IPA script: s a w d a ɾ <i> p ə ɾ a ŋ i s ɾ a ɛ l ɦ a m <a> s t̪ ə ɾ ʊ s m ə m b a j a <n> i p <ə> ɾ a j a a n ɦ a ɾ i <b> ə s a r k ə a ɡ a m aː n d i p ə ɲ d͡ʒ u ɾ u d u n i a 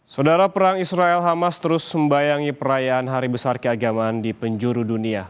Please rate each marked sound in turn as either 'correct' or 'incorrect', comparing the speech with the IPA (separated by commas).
incorrect, correct, incorrect, correct, correct